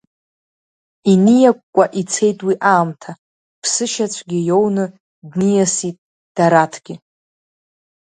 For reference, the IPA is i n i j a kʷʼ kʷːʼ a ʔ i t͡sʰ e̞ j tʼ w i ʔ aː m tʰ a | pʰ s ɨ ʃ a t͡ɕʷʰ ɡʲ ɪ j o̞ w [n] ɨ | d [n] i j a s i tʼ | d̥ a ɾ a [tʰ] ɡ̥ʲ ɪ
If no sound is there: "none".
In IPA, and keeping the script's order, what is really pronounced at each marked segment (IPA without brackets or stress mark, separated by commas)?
n, n, tʰ